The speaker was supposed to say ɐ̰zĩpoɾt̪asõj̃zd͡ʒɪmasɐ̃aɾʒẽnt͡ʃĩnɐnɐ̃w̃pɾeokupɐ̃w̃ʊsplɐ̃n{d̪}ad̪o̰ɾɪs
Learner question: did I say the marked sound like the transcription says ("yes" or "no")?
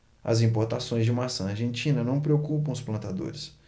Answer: no